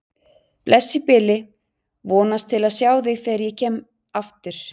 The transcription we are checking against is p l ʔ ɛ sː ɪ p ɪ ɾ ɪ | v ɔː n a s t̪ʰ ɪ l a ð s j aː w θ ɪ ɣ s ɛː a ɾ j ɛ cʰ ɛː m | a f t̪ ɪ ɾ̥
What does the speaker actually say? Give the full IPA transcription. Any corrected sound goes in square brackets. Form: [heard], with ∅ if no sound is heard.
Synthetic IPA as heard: p l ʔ ɛ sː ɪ p ɪ [l] ɪ | v ɔː n a s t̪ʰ ɪ l a ð s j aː w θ ɪ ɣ [θ] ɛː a ɾ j ɛ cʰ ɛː m | a f t̪ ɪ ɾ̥